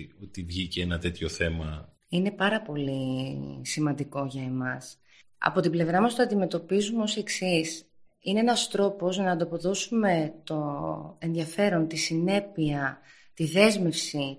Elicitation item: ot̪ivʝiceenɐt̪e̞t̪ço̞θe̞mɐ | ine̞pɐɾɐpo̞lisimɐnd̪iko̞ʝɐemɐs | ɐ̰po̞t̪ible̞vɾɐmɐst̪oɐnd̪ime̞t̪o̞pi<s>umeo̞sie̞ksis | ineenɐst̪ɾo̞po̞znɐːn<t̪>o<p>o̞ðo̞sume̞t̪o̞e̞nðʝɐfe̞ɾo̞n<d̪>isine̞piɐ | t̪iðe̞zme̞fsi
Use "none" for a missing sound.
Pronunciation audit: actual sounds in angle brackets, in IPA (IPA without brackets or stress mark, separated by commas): z, d̪, p, t̪